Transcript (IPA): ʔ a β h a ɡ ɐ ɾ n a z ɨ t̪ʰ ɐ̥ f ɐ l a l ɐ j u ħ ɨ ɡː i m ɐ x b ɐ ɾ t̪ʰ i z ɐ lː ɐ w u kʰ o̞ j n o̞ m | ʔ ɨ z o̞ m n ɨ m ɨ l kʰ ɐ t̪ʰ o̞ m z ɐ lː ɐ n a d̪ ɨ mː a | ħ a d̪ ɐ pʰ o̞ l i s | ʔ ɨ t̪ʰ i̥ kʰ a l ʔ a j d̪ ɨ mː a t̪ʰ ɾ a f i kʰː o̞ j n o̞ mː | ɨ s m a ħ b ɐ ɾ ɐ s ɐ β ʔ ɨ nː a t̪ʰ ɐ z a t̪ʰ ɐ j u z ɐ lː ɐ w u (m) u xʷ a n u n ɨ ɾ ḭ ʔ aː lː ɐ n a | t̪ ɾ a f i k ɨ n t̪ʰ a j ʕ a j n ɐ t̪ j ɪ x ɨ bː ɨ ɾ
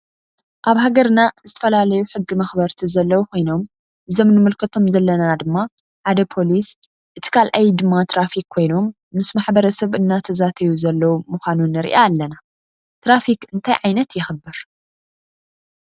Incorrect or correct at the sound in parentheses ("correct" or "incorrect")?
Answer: correct